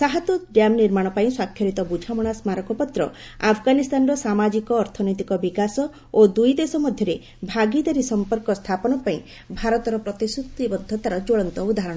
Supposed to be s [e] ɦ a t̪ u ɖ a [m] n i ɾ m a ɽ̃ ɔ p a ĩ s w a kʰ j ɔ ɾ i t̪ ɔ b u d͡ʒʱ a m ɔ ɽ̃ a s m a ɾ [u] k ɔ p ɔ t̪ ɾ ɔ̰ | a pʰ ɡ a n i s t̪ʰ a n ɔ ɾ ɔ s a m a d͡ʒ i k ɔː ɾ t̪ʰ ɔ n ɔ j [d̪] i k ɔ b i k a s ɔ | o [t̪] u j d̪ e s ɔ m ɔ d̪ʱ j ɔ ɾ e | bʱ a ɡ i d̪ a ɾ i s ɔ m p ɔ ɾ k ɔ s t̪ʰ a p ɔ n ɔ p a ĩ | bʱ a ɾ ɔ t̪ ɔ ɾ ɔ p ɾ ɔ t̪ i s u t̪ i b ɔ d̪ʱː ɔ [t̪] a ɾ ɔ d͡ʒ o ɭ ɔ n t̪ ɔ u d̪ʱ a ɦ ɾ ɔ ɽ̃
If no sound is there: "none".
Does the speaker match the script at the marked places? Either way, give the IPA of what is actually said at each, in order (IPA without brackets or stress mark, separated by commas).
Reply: a, m, ɔ, t̪, d̪, t̪